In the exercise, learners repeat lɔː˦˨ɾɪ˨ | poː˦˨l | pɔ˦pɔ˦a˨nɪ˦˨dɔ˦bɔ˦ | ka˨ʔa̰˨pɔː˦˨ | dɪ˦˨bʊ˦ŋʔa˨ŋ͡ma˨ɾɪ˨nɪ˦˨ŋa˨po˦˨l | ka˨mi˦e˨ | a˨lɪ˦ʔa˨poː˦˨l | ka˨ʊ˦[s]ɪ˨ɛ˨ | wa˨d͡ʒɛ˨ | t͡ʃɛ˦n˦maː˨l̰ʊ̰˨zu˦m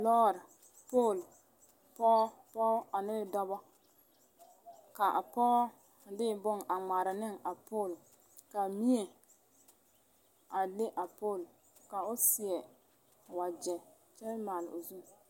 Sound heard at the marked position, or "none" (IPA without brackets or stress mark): s